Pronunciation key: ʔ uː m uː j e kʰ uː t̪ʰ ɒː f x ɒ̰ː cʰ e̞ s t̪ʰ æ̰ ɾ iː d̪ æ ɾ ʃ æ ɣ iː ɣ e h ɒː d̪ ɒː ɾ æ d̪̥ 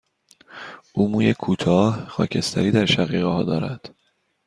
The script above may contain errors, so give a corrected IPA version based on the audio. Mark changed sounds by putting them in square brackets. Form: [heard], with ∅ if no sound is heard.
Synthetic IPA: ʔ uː m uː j e kʰ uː t̪ʰ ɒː [h] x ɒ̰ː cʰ e̞ s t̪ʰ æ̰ ɾ iː d̪ æ ɾ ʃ æ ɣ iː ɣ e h ɒː d̪ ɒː ɾ æ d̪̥

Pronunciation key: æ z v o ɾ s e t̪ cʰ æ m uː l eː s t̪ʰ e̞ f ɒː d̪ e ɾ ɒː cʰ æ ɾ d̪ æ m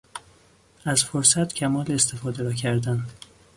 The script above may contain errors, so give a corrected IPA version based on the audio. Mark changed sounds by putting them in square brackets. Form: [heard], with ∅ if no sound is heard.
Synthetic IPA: æ z [f] o ɾ s [æ] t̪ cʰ æ m [ɒː] l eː s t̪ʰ e̞ f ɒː d̪ e ɾ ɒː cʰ æ ɾ d̪ æ [n]

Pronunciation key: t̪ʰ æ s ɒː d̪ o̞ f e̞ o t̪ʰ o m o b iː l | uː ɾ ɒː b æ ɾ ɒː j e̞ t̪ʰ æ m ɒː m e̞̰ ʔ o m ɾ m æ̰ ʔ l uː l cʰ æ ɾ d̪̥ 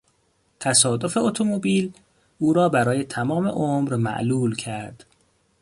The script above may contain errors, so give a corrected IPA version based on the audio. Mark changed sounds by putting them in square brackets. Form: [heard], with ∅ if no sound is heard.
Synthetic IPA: t̪ʰ æ s ɒː d̪ o̞ f e̞ o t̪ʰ o m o b iː l | uː ɾ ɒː b æ ɾ ɒː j e̞ t̪ʰ æ m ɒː m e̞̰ ʔ o m ɾ m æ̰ ʔ l uː l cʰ æ ɾ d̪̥

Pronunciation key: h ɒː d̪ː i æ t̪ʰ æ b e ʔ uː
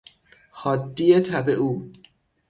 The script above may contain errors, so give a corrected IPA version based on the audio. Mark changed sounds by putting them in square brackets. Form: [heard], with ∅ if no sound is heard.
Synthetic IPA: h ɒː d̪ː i [e] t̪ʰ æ b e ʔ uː

